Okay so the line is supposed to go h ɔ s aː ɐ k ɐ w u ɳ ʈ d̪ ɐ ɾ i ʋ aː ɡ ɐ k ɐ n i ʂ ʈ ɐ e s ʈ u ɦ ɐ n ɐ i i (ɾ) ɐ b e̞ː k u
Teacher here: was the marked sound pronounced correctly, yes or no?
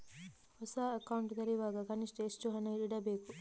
no